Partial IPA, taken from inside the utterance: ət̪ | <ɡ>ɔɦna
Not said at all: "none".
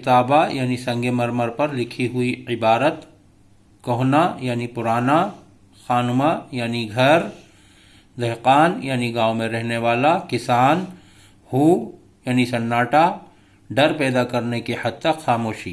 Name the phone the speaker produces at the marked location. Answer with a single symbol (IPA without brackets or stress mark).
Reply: k